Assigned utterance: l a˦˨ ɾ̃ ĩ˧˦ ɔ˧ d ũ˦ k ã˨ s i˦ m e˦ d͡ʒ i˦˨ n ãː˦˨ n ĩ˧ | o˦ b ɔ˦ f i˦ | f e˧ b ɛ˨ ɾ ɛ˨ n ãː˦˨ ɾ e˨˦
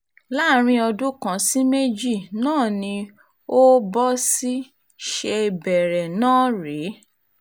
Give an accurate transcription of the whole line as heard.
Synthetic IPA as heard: l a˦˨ ɾ̃ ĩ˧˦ ɔ˧ d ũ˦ k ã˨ s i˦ m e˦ d͡ʒ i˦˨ n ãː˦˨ n ĩ˧ | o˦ b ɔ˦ s i˦ | ʃ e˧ b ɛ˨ ɾ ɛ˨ n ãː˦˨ ɾ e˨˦